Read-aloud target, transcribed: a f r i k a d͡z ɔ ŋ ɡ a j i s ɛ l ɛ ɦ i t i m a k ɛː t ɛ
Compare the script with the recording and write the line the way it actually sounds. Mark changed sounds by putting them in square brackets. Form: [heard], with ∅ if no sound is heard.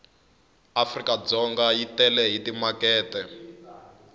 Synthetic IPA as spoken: a f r i k a d͡z ɔ ŋ ɡ a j i [t] ɛ l ɛ ɦ i t i m a k ɛː t ɛ